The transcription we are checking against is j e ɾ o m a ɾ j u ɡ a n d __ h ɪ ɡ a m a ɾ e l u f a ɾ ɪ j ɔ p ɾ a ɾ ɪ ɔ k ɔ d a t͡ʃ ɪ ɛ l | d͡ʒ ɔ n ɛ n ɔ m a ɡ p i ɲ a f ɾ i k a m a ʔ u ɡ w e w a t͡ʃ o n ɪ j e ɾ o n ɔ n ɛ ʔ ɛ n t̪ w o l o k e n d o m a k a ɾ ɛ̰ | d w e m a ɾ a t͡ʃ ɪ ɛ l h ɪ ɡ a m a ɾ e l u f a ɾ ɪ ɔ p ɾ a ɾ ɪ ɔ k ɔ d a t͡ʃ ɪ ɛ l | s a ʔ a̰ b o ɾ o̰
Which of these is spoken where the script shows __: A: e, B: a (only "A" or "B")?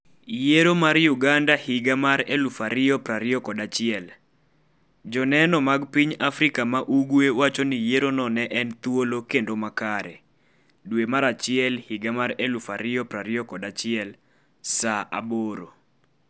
B